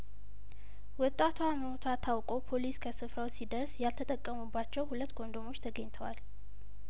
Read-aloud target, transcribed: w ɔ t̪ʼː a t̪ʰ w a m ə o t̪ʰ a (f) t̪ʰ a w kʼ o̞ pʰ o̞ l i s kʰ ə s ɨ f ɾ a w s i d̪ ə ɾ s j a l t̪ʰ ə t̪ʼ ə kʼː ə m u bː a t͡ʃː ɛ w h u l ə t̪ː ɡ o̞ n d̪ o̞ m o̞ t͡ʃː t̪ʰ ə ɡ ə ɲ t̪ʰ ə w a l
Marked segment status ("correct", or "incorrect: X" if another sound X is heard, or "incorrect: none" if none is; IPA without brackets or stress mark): incorrect: none